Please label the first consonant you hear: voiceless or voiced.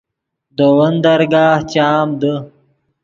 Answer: voiced